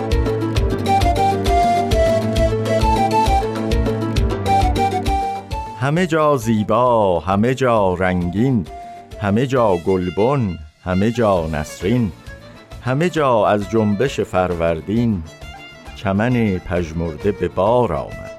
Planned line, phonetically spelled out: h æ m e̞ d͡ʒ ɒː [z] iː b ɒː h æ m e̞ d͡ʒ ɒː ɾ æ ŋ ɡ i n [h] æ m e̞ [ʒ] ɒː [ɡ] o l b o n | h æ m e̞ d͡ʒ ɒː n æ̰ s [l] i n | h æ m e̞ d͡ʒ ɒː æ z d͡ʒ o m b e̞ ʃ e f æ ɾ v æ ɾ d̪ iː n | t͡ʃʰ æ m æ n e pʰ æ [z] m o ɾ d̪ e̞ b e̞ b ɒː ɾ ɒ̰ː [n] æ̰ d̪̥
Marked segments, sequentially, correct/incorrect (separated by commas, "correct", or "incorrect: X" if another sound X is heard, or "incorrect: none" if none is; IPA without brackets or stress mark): correct, correct, incorrect: d͡ʒ, correct, incorrect: ɾ, incorrect: ʒ, incorrect: m